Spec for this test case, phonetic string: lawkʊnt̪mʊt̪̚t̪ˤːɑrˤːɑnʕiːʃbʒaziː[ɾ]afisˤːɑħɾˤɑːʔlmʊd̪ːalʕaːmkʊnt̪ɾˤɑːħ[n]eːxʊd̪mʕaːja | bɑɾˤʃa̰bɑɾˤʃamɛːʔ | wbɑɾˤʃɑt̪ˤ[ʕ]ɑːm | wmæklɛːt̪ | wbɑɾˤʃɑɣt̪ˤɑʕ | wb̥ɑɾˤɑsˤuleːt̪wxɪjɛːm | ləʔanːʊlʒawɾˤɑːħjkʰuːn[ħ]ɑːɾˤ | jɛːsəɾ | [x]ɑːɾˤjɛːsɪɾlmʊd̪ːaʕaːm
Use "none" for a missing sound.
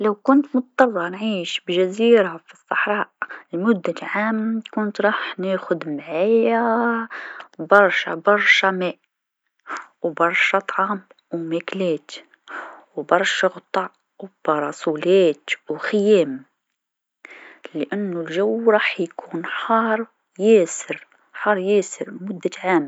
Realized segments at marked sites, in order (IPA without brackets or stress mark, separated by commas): ɾ, n, ʕ, ħ, ħ